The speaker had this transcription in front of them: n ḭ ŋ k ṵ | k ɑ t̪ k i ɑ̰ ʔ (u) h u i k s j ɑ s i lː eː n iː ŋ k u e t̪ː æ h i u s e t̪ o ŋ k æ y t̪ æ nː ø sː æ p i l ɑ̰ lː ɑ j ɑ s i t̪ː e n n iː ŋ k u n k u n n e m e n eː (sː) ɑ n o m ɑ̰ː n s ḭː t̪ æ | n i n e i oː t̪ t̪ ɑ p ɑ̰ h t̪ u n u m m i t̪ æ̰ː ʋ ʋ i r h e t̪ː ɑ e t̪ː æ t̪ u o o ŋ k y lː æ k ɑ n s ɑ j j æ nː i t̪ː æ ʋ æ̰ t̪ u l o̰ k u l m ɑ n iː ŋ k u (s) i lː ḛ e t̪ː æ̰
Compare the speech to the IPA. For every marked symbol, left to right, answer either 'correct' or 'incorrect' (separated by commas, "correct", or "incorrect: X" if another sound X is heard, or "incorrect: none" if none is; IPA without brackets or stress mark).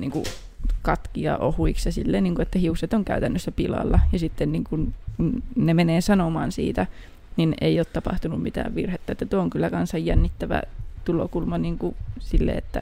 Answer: incorrect: o, incorrect: s, correct